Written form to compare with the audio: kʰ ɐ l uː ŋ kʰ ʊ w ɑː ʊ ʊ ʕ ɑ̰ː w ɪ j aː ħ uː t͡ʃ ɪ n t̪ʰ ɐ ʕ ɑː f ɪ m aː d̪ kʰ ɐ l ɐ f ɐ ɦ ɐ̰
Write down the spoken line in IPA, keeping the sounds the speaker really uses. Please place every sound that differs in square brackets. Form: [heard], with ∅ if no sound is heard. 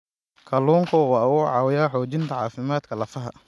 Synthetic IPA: kʰ ɐ l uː ŋ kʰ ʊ w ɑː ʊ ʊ ʕ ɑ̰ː w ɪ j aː ħ [ɔː] t͡ʃ ɪ n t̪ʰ ɐ ʕ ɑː f ɪ m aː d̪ kʰ ɐ l ɐ f ɐ ɦ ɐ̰